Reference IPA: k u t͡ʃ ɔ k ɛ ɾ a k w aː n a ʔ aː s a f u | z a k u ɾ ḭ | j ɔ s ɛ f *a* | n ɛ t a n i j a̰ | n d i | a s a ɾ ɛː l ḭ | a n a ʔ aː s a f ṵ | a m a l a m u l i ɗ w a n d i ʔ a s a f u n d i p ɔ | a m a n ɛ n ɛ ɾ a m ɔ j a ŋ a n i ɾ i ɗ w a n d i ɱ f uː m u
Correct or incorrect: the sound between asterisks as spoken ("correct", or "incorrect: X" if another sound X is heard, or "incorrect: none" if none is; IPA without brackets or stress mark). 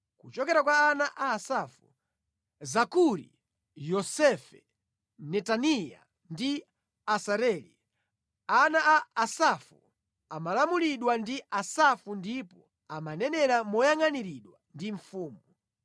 incorrect: ɛ